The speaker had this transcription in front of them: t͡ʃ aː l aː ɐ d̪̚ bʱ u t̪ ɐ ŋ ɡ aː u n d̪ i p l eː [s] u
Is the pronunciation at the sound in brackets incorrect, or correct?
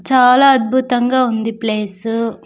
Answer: correct